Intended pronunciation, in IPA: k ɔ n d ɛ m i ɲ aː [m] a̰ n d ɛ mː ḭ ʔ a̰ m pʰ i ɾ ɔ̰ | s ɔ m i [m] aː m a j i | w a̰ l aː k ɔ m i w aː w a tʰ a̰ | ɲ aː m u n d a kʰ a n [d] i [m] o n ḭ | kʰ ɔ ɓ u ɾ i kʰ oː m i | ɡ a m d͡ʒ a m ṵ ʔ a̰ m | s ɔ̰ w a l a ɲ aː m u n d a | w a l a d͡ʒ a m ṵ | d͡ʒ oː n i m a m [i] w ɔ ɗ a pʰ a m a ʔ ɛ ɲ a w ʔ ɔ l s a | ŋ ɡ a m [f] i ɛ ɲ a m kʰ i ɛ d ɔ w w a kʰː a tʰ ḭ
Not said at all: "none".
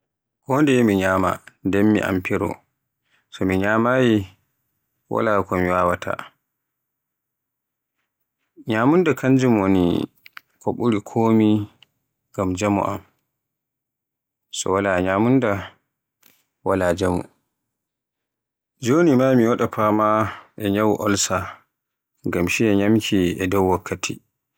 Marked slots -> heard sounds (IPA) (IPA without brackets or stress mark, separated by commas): m, ɲ, d͡ʒ, m, i, ʃ